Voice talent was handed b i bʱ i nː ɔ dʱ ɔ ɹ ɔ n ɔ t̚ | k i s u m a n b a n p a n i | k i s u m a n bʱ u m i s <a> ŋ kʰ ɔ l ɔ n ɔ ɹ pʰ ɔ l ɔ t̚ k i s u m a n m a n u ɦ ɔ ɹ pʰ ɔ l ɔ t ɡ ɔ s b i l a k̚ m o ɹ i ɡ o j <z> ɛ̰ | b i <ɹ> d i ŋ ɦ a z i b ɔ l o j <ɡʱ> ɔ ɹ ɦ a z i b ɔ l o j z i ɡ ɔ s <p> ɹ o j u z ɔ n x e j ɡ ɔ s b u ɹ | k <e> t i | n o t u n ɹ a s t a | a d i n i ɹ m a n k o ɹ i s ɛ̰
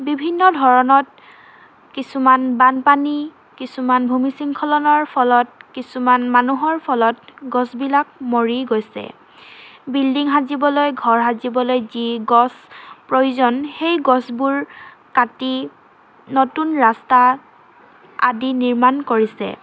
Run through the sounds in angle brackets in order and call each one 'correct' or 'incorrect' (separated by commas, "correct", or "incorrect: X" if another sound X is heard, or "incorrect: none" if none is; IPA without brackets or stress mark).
incorrect: i, incorrect: s, incorrect: l, correct, correct, incorrect: a